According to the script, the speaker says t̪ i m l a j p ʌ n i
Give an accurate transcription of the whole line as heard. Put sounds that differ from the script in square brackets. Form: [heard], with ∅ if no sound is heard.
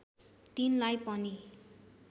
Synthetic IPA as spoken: t̪ i [n] l a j p ʌ n i